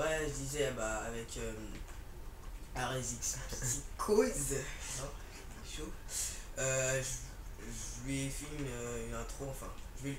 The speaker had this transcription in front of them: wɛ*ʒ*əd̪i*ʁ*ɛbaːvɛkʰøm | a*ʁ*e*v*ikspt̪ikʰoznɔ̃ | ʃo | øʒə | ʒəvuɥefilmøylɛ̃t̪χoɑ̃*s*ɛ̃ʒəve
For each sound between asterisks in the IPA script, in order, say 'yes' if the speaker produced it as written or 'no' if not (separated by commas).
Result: yes, no, yes, no, no